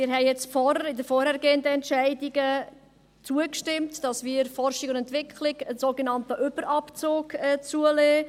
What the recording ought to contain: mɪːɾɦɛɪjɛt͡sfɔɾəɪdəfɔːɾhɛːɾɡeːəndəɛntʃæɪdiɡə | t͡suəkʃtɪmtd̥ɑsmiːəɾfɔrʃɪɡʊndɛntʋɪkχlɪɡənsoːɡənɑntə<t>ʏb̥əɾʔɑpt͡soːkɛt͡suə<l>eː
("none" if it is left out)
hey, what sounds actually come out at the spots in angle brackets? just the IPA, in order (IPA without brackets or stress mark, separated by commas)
ʔ, l